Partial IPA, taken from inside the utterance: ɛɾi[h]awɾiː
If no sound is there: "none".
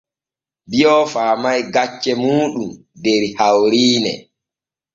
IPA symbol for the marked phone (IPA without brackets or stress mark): h